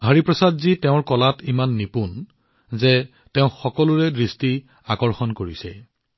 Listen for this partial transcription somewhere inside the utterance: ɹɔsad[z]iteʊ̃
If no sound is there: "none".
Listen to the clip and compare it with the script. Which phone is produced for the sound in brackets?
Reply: z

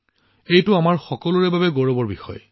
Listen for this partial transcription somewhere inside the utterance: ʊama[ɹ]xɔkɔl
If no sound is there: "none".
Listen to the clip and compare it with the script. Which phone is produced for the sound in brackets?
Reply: ɹ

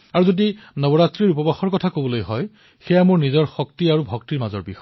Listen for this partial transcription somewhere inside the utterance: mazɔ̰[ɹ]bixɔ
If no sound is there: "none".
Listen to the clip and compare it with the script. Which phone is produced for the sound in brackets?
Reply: ɹ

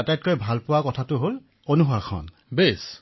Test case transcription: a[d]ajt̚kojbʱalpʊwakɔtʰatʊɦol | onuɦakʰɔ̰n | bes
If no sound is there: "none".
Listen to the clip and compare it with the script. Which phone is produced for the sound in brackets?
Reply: t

